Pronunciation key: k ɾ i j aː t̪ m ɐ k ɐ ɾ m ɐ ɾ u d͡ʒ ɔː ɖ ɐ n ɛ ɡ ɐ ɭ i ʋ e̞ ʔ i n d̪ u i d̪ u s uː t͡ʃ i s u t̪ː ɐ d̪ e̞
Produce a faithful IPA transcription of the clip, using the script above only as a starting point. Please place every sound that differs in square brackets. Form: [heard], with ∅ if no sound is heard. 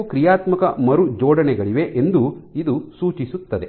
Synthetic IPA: k ɾ i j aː t̪ m ɐ k ɐ [∅] m ɐ ɾ u d͡ʒ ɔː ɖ ɐ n ɛ ɡ ɐ ɭ i ʋ e̞ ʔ [e] n d̪ u i d̪ u s uː t͡ʃ i s u t̪ː ɐ d̪ e̞